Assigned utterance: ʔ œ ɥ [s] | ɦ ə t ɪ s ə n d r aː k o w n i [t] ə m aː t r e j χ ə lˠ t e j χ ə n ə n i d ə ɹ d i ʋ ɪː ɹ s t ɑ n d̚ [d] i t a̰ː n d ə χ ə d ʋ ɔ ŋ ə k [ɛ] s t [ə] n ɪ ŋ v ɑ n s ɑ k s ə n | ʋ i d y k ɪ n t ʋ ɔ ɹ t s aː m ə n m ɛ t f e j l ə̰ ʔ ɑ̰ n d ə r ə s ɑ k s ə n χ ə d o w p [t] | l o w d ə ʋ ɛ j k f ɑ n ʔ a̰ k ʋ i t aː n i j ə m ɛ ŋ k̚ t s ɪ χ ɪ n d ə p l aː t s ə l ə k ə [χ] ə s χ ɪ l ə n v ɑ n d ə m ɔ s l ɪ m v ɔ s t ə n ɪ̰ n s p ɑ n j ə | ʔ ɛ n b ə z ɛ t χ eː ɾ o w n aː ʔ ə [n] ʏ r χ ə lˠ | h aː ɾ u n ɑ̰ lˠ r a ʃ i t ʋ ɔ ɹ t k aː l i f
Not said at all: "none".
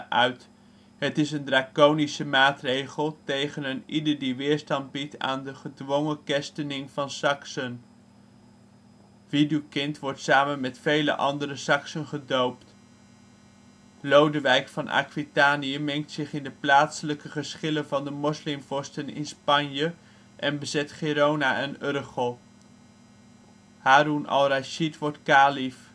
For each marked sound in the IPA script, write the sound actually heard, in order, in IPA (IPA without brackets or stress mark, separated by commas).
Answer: t, s, b, ɛ, ə, t, χ, n